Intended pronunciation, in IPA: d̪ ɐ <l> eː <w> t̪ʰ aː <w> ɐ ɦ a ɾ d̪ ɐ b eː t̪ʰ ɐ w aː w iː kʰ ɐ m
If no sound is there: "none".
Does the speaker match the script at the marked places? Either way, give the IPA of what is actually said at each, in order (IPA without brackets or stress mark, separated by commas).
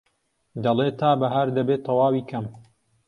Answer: l, none, b